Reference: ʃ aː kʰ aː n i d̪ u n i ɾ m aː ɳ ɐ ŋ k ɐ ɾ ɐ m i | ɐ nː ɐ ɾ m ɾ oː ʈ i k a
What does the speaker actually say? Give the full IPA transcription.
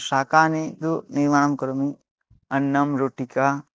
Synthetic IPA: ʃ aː k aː n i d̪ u n i ɾ m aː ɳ ɐ m k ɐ ɾ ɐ m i | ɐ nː ɐ m ɾ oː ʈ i k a